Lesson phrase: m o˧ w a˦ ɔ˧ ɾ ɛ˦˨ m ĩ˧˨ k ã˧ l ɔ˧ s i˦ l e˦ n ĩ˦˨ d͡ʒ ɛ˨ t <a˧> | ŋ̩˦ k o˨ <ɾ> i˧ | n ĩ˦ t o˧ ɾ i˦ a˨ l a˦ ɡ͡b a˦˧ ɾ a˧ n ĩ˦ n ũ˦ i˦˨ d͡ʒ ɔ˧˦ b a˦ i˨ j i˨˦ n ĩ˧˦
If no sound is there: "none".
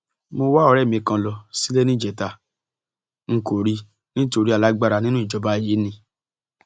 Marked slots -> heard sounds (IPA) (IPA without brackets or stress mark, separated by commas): a˧, ɾ